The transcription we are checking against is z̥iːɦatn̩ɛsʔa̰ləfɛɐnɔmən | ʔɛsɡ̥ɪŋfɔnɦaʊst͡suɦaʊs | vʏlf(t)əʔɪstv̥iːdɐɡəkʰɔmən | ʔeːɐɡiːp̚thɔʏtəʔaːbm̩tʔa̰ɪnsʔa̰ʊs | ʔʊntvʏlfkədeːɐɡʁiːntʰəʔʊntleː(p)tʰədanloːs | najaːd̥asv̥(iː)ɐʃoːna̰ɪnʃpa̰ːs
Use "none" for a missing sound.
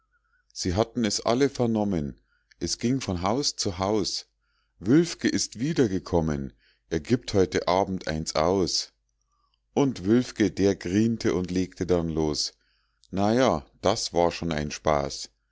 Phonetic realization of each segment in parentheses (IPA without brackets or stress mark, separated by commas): k, k, aː